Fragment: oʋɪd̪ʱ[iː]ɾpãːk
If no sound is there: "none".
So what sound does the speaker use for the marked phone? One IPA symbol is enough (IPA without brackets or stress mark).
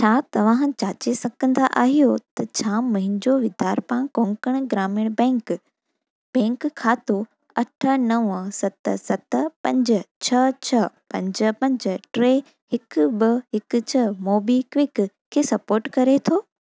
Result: aː